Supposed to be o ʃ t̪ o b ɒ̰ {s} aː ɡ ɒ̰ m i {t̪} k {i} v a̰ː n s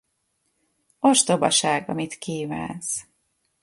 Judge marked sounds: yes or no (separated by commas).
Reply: no, yes, no